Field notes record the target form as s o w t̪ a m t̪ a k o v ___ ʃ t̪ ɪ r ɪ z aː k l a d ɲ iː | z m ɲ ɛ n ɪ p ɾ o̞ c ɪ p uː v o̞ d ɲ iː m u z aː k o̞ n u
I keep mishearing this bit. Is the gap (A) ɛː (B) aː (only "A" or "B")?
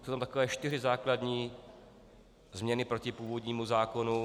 A